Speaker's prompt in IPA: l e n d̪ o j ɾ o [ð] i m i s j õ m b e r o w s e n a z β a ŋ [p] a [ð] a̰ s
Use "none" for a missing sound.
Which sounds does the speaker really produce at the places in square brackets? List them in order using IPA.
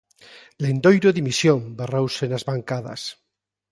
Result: ð, k, ð

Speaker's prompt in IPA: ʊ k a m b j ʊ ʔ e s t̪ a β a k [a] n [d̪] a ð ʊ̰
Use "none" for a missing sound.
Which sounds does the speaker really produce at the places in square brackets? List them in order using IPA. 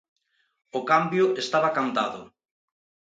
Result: a, t̪

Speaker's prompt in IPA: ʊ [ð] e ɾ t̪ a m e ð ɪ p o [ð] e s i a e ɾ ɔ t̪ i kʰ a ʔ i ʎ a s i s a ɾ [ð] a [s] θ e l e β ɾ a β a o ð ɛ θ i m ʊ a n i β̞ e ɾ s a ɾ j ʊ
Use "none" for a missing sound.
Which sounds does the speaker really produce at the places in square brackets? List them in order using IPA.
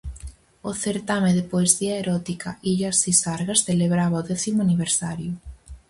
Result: θ, none, ɣ, s

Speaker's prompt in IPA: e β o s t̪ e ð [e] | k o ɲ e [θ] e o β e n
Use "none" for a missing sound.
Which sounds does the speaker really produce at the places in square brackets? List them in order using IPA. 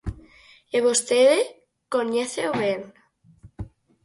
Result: e, θ

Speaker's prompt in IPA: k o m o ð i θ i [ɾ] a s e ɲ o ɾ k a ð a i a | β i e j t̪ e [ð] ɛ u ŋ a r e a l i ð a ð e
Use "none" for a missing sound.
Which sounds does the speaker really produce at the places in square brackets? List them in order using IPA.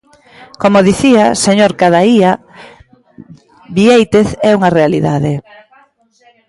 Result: none, θ

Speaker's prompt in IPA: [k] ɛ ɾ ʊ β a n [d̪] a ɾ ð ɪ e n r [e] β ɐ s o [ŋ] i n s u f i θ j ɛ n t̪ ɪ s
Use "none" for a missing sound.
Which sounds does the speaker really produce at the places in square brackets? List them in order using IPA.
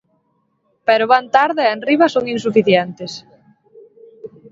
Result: p, t̪, i, ŋ

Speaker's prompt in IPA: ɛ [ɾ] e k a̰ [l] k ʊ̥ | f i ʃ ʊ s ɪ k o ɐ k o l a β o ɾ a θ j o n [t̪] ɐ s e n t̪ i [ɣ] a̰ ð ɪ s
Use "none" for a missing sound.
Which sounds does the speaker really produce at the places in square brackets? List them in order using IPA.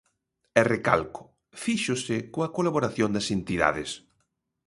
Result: r, l, d̪, ð

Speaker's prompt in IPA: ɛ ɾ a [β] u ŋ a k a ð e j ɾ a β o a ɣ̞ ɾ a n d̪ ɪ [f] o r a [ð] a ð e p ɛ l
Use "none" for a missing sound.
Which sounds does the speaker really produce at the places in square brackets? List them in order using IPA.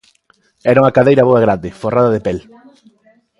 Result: none, f, ð

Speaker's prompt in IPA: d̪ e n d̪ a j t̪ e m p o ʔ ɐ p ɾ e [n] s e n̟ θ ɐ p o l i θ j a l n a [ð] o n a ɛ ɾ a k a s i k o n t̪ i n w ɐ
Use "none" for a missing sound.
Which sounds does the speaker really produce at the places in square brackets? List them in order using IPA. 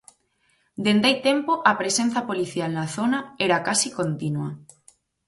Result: none, θ

